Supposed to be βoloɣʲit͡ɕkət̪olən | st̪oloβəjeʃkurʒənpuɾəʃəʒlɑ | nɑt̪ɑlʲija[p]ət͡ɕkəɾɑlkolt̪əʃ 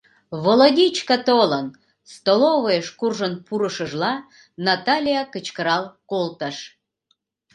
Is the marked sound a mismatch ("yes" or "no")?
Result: yes